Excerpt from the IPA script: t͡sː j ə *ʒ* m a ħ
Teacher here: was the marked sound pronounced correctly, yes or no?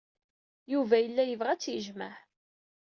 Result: yes